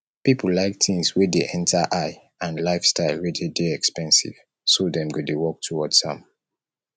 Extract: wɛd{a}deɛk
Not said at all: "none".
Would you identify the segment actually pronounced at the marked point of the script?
e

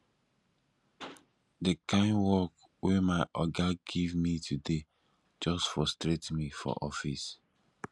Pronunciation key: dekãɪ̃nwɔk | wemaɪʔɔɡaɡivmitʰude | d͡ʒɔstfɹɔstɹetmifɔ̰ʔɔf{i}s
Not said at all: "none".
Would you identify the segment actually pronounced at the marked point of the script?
i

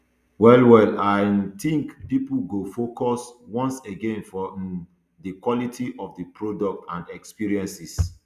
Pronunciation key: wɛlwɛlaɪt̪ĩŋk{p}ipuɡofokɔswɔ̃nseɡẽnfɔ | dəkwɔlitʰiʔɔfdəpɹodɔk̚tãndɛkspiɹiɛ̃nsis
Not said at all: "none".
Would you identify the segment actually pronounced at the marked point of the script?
p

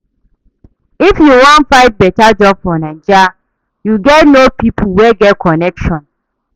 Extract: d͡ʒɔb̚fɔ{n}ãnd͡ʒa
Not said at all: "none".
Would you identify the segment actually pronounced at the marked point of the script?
n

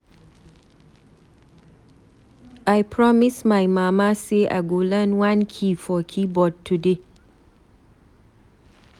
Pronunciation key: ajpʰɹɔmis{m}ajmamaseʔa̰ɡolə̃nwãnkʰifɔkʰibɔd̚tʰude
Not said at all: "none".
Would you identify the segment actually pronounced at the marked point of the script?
m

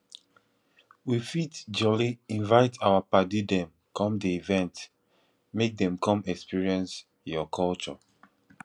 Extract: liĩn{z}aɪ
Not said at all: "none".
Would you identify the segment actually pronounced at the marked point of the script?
v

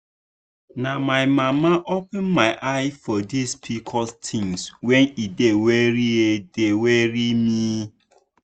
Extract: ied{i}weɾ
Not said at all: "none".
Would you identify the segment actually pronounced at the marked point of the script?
e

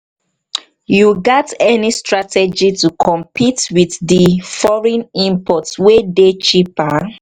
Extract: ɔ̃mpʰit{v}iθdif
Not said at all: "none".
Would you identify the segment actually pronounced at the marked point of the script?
w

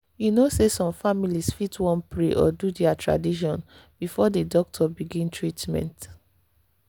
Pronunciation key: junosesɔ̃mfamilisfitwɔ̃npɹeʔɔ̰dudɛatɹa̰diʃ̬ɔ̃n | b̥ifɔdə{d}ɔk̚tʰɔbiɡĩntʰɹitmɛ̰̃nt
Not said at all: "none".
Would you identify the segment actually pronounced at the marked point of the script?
d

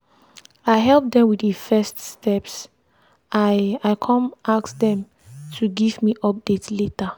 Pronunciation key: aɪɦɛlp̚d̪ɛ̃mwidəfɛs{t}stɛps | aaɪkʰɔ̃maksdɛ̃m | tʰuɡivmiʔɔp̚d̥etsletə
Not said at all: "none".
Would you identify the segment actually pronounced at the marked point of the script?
t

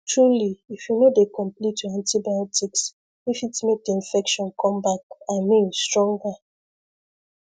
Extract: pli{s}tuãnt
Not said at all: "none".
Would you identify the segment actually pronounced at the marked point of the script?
none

